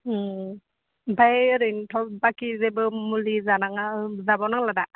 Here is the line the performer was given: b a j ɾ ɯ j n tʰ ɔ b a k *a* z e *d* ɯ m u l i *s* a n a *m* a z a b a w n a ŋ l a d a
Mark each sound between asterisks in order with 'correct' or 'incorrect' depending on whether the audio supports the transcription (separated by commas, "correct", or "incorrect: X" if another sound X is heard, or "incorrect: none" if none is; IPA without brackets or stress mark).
incorrect: i, incorrect: b, incorrect: z, incorrect: ŋ